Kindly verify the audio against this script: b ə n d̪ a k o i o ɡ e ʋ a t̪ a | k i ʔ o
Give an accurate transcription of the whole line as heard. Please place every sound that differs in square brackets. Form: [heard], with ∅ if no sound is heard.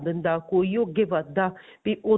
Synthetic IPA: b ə n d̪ a k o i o ɡ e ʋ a [d̪] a | [p] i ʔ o